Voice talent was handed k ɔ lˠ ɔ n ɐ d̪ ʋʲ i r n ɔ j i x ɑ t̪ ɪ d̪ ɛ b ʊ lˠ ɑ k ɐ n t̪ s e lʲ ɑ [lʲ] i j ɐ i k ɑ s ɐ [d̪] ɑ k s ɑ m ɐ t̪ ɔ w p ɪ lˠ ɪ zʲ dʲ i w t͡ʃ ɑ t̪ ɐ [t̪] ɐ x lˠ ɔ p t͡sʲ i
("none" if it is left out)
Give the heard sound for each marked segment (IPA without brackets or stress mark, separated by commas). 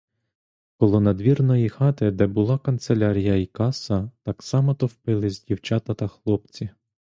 ɾʲ, t̪, t̪